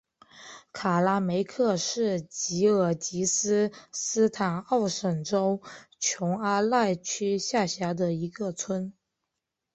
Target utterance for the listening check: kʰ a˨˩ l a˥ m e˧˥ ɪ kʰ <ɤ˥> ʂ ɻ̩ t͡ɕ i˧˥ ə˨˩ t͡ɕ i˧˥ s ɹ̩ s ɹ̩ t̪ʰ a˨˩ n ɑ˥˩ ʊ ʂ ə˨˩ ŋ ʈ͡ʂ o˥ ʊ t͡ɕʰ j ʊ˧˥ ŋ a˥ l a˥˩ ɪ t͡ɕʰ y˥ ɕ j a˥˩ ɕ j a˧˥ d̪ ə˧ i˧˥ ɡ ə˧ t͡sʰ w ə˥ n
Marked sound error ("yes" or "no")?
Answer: yes